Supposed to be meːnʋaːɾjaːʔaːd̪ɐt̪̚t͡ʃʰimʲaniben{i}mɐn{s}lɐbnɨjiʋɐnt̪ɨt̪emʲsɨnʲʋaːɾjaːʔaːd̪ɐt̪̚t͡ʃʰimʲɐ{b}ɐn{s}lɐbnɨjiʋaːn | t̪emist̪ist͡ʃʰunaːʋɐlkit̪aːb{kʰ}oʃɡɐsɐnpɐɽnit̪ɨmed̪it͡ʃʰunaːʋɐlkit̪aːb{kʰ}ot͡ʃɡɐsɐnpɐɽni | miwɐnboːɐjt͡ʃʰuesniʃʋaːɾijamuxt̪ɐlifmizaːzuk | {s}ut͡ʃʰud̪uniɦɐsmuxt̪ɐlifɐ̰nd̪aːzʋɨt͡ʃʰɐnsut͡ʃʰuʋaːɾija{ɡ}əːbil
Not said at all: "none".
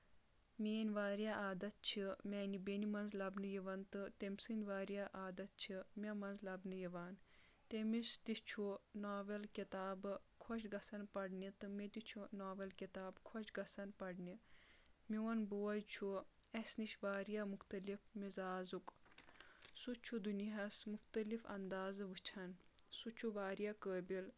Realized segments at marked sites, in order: i, z, m, z, kʰ, kʰ, s, k

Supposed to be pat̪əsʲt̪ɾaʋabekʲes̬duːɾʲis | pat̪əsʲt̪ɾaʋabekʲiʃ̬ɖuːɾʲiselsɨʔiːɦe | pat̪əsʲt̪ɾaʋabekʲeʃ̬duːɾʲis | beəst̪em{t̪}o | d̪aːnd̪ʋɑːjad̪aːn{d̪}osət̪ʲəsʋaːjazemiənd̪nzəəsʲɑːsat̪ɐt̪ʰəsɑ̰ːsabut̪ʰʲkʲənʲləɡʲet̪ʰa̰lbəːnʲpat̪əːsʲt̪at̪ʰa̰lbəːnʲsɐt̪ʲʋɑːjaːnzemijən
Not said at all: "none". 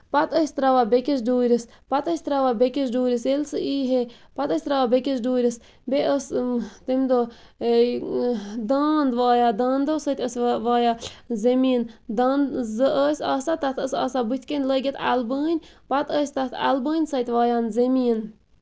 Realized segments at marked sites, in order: d̪, d̪

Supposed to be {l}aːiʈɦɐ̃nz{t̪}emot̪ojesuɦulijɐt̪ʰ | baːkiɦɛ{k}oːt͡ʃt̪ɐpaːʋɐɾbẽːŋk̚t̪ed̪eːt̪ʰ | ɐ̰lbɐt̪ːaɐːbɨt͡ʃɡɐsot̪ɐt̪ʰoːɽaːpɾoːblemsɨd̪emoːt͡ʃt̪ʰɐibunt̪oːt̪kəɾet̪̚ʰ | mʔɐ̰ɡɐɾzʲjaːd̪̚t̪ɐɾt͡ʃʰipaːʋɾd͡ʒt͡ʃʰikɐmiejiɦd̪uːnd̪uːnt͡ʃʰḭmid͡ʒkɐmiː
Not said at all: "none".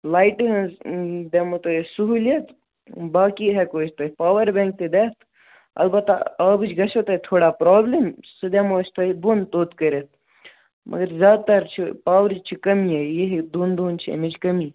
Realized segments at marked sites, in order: l, d̪, k

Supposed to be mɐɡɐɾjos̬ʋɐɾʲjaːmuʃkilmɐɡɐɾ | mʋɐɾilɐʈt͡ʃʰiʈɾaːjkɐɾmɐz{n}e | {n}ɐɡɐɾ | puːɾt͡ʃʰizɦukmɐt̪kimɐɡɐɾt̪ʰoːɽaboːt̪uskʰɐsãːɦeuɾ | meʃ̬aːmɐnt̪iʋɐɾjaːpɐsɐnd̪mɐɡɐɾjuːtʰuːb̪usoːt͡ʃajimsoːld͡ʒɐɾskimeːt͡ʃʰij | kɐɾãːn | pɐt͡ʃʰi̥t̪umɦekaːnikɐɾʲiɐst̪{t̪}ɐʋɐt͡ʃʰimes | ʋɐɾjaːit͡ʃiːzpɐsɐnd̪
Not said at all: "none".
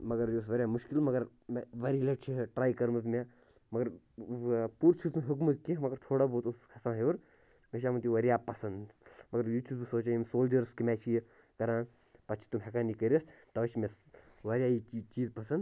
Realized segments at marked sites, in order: m, m, t̪

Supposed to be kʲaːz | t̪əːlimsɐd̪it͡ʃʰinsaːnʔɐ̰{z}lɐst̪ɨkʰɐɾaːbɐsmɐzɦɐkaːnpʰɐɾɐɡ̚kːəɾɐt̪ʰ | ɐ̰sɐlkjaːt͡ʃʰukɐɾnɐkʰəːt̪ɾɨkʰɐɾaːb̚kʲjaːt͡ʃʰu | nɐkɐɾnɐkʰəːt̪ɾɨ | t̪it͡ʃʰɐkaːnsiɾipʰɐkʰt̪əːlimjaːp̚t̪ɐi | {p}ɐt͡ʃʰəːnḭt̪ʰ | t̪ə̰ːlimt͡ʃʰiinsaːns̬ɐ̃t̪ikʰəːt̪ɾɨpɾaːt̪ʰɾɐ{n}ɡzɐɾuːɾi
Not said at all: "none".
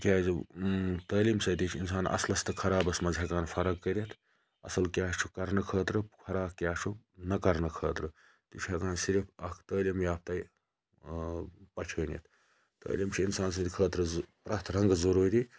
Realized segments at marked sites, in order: s, p, ŋ

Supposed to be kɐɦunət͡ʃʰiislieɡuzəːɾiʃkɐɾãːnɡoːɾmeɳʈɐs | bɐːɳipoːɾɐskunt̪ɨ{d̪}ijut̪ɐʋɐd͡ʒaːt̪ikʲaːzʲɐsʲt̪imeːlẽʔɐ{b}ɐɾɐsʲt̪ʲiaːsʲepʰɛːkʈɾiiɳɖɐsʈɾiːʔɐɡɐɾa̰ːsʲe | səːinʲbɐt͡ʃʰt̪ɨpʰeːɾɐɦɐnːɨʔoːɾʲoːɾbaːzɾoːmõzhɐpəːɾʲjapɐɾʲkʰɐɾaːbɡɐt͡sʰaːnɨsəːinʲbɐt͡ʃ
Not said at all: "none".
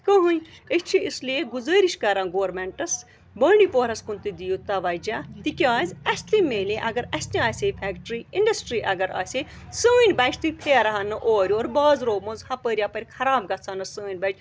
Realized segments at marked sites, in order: d̪, ɡ

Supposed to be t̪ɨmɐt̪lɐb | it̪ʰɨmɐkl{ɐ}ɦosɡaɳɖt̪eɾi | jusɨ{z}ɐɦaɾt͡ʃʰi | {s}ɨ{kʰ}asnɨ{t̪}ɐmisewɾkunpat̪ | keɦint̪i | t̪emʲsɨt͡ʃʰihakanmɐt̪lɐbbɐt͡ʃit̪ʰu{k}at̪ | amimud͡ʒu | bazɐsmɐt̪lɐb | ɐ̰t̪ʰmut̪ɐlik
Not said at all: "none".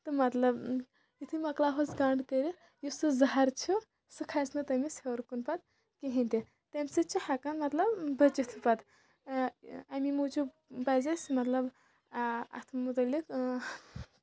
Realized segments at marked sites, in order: a, z, s, kʰ, t̪, p

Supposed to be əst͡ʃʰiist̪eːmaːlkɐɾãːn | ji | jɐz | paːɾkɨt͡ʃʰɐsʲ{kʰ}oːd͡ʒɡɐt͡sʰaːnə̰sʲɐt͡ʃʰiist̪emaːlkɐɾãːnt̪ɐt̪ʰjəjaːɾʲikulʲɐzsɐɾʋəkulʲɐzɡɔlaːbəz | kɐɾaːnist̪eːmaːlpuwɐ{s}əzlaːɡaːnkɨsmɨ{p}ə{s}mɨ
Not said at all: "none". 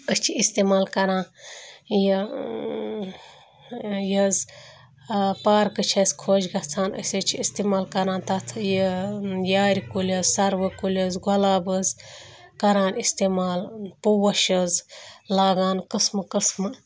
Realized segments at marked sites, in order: kʰ, ʃ, k, s

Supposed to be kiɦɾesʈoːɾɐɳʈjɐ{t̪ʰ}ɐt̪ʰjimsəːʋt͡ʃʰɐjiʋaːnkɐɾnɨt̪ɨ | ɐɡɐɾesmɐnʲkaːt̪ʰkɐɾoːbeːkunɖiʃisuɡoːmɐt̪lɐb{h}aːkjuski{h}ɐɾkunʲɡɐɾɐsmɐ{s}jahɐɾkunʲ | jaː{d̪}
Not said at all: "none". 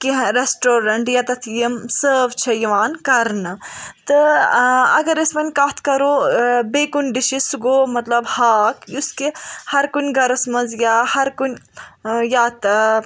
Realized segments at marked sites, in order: t̪, h, h, z, t̪

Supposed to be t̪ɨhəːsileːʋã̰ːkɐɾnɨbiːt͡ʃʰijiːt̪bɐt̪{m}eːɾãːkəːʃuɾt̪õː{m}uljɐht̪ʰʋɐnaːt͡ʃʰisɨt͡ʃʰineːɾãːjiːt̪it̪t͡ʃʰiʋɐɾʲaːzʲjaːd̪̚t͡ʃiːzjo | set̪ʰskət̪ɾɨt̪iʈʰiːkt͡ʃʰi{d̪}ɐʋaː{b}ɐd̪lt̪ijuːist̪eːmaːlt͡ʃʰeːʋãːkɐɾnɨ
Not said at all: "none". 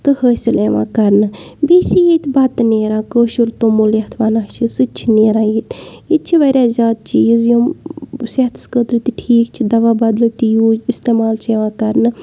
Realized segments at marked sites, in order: n, m, d̪, b

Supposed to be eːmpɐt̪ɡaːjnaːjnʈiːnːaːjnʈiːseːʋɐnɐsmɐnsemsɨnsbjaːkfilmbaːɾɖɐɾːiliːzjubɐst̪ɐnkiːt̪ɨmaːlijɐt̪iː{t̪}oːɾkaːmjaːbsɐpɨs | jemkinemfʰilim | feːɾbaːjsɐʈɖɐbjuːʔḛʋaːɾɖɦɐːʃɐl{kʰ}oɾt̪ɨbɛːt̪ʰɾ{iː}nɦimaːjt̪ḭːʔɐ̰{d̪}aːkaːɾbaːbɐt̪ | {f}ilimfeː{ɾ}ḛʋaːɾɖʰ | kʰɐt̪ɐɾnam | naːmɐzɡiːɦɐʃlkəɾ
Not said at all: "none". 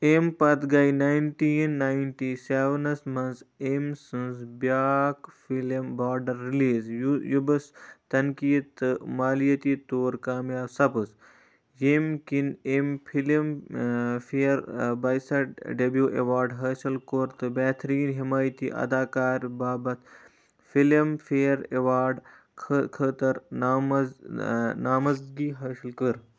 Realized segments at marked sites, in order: t̪, k, iː, d̪, f, ɾ

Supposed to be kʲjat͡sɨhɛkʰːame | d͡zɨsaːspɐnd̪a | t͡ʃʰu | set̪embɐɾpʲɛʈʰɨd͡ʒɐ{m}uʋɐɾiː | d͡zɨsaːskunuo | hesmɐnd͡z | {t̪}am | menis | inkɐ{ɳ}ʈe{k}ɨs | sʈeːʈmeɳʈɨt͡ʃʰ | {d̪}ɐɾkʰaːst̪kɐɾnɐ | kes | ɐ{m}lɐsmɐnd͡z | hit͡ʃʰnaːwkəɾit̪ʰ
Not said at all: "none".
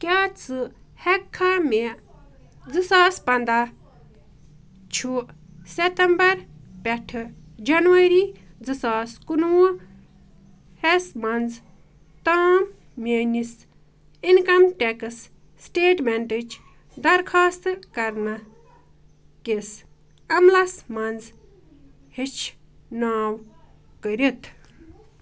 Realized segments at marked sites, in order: n, t̪, m, k, d̪, m

